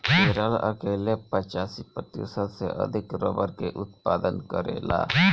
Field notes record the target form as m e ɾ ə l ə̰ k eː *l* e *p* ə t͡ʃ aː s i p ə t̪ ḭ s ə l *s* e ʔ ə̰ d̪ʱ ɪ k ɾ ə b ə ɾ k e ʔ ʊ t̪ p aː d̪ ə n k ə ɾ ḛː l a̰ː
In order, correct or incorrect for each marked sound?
correct, correct, correct

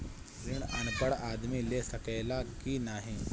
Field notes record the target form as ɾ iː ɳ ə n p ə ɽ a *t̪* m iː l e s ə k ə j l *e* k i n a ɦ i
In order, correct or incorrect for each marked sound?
incorrect: d̪, incorrect: a

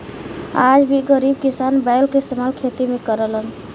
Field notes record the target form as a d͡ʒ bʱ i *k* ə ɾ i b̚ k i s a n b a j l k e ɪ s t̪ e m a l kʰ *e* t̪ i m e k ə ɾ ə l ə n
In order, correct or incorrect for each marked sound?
incorrect: ɡ, correct

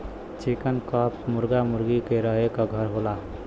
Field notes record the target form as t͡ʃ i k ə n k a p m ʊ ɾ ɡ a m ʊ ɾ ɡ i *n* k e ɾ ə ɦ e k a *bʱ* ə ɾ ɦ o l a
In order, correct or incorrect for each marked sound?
incorrect: none, incorrect: ɡʱ

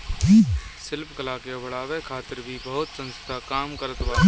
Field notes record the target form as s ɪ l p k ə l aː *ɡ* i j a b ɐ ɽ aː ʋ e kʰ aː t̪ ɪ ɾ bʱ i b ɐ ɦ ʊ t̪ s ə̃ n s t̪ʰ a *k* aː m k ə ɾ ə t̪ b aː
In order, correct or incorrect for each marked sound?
incorrect: k, correct

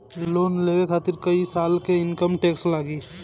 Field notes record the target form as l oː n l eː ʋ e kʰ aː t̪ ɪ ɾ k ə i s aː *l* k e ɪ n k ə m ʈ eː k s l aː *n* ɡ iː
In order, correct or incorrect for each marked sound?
correct, incorrect: none

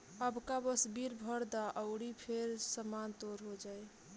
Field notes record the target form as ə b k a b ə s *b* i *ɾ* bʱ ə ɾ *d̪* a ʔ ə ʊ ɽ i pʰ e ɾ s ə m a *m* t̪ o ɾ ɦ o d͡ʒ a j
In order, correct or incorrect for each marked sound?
correct, correct, correct, incorrect: n

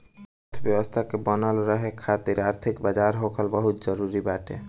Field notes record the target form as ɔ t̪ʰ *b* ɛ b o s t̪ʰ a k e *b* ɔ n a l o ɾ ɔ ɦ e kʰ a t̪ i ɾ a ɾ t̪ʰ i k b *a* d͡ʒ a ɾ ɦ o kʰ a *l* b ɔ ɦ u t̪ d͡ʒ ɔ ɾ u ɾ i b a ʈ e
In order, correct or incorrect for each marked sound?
correct, correct, correct, correct

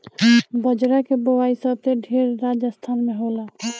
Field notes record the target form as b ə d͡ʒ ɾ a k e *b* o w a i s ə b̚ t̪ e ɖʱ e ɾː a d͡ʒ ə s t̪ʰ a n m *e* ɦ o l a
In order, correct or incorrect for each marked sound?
correct, correct

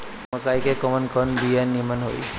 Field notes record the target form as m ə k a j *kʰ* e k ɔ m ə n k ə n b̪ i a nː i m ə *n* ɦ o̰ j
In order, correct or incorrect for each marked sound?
incorrect: k, correct

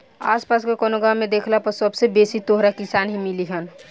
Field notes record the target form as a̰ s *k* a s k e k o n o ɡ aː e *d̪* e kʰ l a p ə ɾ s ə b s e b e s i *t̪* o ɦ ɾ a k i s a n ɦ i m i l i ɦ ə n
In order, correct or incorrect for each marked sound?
incorrect: p, correct, correct

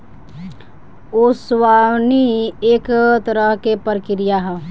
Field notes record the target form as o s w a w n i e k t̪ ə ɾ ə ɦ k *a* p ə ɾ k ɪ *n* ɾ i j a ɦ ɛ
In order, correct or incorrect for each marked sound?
incorrect: e, incorrect: none

